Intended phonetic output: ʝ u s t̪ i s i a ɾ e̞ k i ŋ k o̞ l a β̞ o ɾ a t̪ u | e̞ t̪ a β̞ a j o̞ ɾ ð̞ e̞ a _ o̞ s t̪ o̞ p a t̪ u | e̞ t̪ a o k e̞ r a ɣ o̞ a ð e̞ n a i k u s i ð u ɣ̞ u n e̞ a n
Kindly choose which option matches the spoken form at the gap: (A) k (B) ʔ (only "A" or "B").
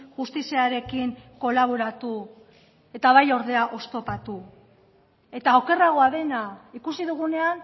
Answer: B